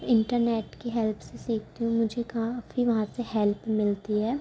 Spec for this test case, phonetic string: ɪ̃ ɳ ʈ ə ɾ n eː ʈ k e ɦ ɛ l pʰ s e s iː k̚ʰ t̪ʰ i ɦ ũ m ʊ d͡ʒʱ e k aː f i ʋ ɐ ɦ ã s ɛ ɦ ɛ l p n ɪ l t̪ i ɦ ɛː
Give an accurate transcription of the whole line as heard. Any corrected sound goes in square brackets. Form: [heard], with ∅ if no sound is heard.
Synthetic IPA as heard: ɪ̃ ɳ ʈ ə ɾ n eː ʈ k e ɦ ɛ l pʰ s e s iː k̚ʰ [t̪] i ɦ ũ m ʊ d͡ʒʱ e k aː f i ʋ ɐ ɦ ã s [e] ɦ ɛ l p [m] ɪ l t̪ i ɦ ɛː

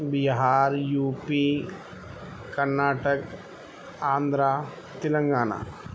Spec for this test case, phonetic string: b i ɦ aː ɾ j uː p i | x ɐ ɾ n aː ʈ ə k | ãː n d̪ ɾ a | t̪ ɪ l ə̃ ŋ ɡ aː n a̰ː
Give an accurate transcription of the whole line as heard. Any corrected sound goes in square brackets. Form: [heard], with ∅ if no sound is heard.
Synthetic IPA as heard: b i ɦ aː ɾ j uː p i | [k] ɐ ɾ n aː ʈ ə k | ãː n d̪ ɾ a | t̪ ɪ l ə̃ ŋ ɡ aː n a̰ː

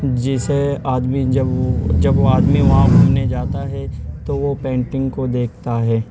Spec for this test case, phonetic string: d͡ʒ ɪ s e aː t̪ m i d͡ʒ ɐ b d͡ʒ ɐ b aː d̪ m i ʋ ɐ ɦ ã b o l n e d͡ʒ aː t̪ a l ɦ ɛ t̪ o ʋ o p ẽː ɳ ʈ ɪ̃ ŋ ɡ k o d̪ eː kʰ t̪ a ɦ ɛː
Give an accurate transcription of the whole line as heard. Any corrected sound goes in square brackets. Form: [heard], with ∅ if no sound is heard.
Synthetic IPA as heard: d͡ʒ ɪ s e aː [d̪] m i d͡ʒ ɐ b d͡ʒ ɐ b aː d̪ m i ʋ ɐ ɦ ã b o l n e d͡ʒ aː t̪ a [∅] ɦ ɛ t̪ o ʋ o p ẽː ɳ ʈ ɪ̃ ŋ ɡ k o d̪ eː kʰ t̪ a ɦ ɛː

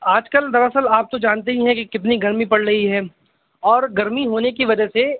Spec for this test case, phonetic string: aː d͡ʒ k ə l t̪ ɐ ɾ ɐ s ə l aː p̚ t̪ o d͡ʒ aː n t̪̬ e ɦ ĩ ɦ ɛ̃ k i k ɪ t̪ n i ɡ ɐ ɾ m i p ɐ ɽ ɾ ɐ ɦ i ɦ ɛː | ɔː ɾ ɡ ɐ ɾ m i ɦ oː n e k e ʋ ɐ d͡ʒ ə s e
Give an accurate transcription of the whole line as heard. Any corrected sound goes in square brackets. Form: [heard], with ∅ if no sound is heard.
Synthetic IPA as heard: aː d͡ʒ k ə l [d̪] ɐ ɾ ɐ s ə l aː p̚ t̪ o d͡ʒ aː n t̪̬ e ɦ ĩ ɦ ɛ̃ k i k ɪ t̪ n i ɡ ɐ ɾ m i p ɐ ɽ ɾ ɐ ɦ i ɦ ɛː | ɔː ɾ ɡ ɐ ɾ m i ɦ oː n e k [i] ʋ ɐ d͡ʒ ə s e

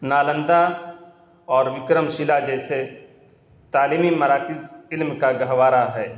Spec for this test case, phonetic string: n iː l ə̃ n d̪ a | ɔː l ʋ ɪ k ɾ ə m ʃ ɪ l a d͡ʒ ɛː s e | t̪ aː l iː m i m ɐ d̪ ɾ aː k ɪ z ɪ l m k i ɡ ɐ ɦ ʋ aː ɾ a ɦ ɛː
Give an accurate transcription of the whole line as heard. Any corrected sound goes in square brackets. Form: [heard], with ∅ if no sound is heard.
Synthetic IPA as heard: n [aː] l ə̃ n d̪ a | ɔː [ɾ] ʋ ɪ k ɾ ə m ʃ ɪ l a d͡ʒ ɛː s e | t̪ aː l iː m i m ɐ [∅] ɾ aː k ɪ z ɪ l m k [a] ɡ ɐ ɦ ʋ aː ɾ a ɦ ɛː

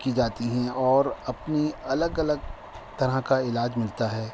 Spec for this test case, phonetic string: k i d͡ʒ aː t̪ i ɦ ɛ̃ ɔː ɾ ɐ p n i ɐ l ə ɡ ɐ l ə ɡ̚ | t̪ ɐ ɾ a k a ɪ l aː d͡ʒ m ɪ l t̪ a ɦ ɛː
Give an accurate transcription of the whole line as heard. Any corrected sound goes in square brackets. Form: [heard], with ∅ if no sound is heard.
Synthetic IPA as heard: k i d͡ʒ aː t̪ i ɦ ɛ̃ ɔː ɾ ɐ p n i ɐ l ə ɡ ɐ l ə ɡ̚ | t̪ ɐ ɾ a k a ɪ l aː d͡ʒ m ɪ l t̪ a ɦ ɛː

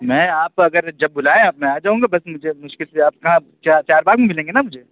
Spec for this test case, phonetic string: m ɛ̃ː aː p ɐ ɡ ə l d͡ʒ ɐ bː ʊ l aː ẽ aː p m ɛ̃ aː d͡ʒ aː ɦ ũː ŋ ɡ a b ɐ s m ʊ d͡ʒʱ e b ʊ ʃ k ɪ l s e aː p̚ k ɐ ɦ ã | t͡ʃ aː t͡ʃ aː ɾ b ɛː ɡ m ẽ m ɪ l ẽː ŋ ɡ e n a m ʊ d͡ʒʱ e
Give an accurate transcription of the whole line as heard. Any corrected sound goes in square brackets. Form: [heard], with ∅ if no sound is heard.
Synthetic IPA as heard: m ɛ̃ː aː p ɐ ɡ ə [ɾ] d͡ʒ ɐ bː ʊ l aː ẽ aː p m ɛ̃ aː d͡ʒ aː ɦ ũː ŋ ɡ a b ɐ s m ʊ d͡ʒʱ e [m] ʊ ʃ k ɪ l s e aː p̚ k ɐ ɦ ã | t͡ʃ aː t͡ʃ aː ɾ b [aː] ɡ m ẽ m ɪ l ẽː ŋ ɡ e n a m ʊ d͡ʒʱ e

